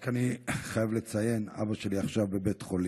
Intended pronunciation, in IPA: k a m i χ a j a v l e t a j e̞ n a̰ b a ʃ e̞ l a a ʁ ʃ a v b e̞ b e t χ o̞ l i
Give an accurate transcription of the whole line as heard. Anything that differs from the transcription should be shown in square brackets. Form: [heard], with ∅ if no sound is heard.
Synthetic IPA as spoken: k a [n] i χ a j a v l e [t͡s] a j e̞ n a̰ b a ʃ e̞ l [i] a [χ] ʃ a v b e̞ b e t χ o̞ l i